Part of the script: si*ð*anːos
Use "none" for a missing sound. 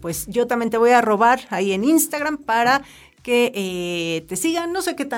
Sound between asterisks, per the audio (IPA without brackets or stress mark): ɣ